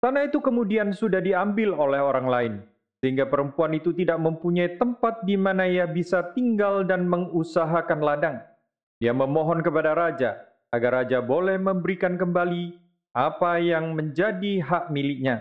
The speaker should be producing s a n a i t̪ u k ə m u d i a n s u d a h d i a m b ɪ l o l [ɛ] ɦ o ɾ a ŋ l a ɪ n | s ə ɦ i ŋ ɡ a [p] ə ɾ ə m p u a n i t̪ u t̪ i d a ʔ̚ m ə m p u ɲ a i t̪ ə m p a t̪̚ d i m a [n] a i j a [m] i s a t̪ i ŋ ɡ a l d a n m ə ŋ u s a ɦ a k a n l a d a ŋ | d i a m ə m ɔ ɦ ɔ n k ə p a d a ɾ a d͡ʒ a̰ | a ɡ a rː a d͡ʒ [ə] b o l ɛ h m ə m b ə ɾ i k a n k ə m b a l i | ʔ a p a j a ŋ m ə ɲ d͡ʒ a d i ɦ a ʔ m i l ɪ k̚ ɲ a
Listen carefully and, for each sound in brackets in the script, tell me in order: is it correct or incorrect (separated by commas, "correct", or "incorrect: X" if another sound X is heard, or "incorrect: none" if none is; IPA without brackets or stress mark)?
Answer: correct, correct, correct, incorrect: b, incorrect: a